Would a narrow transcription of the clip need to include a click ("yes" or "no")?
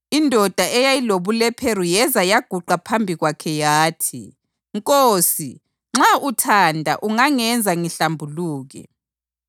yes